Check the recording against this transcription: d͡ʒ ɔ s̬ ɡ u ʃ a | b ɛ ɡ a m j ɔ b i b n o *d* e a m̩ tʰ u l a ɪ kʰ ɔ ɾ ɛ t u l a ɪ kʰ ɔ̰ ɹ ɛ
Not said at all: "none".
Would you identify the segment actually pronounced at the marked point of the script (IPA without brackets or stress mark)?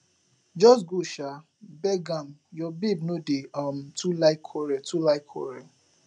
d